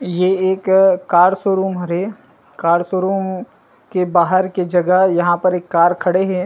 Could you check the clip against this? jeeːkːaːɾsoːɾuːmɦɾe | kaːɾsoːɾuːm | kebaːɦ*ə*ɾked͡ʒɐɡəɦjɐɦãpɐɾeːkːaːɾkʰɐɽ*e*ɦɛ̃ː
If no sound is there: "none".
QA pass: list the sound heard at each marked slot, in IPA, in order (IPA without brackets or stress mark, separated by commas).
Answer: ə, e